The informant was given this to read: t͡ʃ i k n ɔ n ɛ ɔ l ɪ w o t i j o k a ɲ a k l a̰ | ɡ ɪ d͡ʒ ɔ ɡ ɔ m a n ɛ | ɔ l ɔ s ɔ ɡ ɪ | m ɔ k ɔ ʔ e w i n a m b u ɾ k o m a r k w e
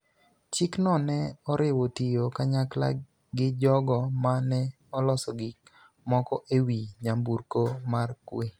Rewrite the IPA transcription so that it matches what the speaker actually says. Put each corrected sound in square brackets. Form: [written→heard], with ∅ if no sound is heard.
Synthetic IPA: t͡ʃ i k n ɔ n ɛ ɔ [l→ɾ] ɪ w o t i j o k a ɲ a k l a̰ | ɡ ɪ d͡ʒ ɔ ɡ ɔ m a n ɛ | ɔ l ɔ s ɔ ɡ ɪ | m ɔ k ɔ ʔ e w i [n→ɲ] a m b u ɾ k o m a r k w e